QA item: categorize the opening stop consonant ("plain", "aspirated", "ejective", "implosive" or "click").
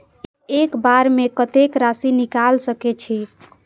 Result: plain